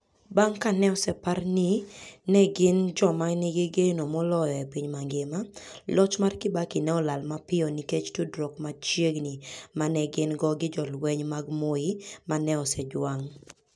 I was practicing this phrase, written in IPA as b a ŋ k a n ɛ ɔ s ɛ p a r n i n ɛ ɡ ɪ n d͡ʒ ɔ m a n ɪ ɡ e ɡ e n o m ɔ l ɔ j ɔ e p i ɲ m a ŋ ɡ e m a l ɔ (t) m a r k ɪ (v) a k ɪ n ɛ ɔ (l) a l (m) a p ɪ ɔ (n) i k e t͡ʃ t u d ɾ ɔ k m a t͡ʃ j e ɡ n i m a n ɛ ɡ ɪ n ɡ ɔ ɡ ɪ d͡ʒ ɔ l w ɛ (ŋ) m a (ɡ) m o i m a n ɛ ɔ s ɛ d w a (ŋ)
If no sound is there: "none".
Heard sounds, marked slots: t͡ʃ, b, l, m, n, ɲ, ɡ, ŋ

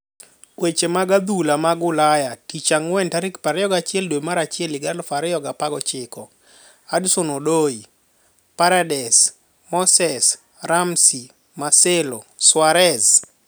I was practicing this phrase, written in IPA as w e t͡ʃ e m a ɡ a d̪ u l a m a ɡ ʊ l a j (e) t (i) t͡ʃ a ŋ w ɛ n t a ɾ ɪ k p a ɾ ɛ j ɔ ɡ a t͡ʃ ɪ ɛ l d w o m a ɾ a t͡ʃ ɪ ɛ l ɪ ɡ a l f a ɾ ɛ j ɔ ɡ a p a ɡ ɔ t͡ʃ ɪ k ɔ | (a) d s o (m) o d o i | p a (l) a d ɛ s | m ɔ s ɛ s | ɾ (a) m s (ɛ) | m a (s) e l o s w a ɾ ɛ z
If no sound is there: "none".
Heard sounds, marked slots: a, i, a, n, ɾ, a, i, s

